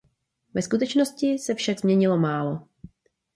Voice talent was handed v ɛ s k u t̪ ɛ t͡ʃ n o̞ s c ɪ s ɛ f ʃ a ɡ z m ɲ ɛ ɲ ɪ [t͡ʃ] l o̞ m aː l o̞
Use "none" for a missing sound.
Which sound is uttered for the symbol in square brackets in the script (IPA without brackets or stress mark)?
none